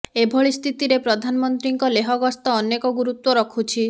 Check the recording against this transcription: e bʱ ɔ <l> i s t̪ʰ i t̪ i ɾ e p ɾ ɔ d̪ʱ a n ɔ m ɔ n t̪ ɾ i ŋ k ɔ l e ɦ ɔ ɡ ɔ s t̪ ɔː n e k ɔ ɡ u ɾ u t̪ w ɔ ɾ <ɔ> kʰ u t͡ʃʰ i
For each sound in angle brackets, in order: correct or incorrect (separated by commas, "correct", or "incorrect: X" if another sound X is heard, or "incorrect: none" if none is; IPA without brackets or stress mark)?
incorrect: ɭ, correct